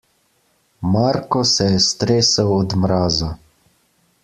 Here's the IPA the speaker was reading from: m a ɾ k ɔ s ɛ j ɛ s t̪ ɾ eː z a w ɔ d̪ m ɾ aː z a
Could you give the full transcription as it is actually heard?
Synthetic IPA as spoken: m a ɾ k ɔ s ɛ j ɛ s t̪ ɾ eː s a w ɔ d̪ m ɾ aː z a

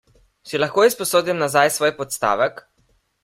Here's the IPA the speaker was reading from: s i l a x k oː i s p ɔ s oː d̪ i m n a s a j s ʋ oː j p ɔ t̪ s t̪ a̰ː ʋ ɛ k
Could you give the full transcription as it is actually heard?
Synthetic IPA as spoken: s i l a x k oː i s p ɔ s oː d̪ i m n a z a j s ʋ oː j p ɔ t̪ s t̪ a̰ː ʋ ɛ k

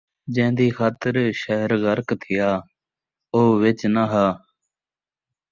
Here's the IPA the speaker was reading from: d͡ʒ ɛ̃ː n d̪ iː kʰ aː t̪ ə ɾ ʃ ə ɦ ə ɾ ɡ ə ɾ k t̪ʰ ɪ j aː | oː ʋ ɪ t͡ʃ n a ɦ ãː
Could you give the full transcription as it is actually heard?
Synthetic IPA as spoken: d͡ʒ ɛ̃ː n d̪ iː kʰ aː t̪ ə ɾ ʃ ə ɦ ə ɾ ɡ ə ɾ k t̪ʰ ɪ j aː | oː ʋ ɪ t͡ʃ n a ɦ aː

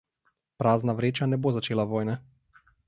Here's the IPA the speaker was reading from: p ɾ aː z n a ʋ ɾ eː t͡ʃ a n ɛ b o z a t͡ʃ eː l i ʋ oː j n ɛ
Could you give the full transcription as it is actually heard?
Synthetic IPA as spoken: p ɾ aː z n a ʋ ɾ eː t͡ʃ a n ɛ b o z a t͡ʃ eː l a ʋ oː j n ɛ

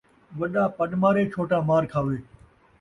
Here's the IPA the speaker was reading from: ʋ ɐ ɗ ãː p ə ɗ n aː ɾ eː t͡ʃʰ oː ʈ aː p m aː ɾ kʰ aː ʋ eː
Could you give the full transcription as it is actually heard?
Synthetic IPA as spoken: ʋ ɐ ɗ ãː p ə ɗ m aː ɾ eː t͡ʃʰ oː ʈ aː m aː ɾ kʰ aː ʋ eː

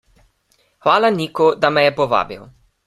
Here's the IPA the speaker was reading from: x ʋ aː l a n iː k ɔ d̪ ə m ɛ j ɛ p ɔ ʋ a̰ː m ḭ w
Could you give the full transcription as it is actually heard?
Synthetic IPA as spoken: x ʋ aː l a n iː k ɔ d̪ a m ɛ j ɛ p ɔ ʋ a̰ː b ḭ w

